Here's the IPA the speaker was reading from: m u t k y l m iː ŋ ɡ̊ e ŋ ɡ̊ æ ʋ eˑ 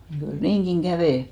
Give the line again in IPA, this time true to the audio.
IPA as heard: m u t k y l n iː ŋ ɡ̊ i ŋ ɡ̊ æ ʋ eˑ